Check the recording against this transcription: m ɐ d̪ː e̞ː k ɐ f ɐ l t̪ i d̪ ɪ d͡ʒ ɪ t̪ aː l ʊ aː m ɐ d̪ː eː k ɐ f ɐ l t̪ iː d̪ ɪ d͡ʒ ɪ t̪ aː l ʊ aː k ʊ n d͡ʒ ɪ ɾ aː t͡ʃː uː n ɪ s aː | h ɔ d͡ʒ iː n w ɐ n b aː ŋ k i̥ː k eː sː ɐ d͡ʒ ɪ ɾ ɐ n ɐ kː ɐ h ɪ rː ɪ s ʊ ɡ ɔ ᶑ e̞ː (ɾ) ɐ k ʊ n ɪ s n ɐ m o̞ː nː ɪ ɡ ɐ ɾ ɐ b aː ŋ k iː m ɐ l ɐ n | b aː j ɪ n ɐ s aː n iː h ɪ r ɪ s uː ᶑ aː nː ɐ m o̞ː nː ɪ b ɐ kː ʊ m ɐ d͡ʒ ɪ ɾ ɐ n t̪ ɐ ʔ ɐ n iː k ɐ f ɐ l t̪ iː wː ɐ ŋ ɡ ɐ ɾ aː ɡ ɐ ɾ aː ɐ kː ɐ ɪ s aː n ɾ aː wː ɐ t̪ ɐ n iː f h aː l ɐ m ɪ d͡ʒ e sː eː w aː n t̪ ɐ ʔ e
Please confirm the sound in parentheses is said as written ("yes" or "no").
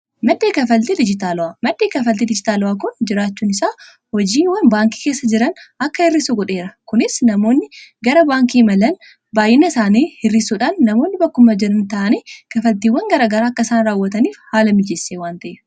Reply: yes